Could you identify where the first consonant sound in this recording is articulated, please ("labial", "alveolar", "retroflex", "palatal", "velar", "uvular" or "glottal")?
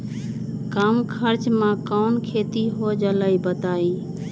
velar